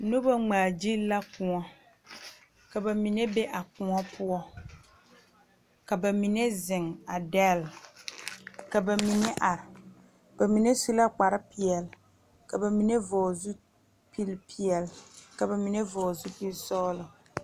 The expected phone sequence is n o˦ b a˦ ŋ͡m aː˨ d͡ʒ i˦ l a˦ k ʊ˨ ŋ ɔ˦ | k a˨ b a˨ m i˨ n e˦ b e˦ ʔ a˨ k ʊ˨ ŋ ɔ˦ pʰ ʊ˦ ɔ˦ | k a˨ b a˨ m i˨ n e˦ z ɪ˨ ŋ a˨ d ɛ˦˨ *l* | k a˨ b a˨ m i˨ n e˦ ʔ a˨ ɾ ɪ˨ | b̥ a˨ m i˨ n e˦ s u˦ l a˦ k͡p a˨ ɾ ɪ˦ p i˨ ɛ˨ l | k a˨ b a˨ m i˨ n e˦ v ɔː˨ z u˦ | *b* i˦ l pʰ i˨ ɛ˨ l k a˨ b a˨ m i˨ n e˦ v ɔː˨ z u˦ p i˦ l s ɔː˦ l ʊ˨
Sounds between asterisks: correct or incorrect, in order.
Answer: correct, incorrect

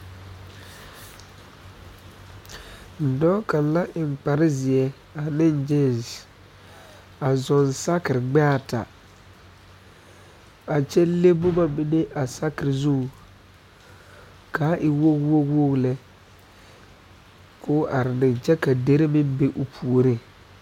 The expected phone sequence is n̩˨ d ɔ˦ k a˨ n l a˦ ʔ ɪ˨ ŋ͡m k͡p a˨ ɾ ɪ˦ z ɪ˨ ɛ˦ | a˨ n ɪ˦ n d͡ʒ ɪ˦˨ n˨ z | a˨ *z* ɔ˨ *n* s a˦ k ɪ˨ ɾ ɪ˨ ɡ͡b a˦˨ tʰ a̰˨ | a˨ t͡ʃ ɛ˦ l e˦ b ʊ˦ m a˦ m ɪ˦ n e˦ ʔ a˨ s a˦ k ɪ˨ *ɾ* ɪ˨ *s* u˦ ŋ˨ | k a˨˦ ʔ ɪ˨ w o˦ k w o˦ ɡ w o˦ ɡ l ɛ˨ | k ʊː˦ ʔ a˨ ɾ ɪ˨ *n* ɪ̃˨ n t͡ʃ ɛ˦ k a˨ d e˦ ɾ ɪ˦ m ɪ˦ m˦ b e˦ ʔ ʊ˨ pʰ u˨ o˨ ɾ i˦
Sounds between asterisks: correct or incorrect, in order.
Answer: correct, correct, correct, incorrect, correct

